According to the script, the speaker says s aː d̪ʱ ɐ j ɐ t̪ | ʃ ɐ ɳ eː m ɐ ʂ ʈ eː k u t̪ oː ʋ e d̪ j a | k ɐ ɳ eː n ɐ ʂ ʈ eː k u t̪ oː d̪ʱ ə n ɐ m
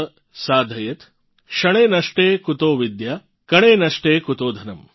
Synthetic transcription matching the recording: s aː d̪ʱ ɐ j ɐ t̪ | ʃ ɐ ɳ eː n ɐ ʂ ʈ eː k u t̪ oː ʋ i d̪ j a | k ɐ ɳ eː n ɐ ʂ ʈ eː k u t̪ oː d̪ʱ ɐ n ɐ m